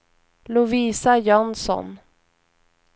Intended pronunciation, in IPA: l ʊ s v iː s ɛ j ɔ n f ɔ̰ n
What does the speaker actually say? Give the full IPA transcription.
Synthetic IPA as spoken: l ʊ v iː s a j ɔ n s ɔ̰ n